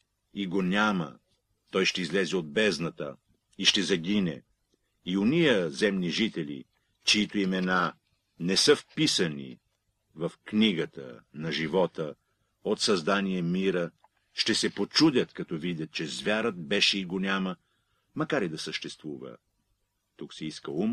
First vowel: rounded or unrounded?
unrounded